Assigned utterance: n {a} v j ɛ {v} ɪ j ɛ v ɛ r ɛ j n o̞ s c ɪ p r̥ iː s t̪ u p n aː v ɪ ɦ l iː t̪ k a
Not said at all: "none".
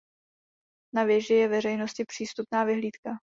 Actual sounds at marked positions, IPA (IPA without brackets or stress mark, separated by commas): a, ʒ